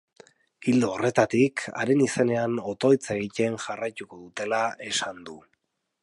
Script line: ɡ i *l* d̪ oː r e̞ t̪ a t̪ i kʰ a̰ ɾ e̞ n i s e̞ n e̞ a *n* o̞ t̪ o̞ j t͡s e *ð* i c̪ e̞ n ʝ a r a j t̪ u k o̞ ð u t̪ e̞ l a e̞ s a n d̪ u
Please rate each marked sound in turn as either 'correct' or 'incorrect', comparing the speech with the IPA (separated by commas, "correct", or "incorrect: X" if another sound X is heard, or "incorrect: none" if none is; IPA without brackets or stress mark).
correct, correct, incorrect: ɣ